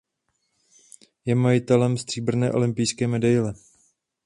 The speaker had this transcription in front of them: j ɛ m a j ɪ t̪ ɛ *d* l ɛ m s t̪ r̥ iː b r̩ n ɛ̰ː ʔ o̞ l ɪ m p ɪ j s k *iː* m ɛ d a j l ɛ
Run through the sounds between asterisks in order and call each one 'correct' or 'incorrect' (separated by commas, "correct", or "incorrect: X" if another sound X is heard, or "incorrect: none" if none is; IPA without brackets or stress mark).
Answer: incorrect: none, incorrect: ɛː